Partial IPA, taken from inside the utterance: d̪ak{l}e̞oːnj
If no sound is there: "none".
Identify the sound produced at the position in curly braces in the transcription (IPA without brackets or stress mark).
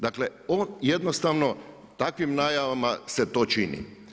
l